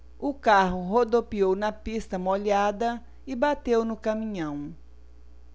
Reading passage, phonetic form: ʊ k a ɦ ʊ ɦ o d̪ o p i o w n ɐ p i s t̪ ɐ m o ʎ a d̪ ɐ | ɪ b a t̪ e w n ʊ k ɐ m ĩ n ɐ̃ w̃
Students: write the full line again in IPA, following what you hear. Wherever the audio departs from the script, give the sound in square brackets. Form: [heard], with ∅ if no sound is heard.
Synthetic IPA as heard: ʊ k a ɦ ʊ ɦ o d̪ o p i o w n ɐ p i s t̪ ɐ m o ʎ a d̪ ɐ | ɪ b a t̪ e w n ʊ k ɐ m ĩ [ɲ] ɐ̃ w̃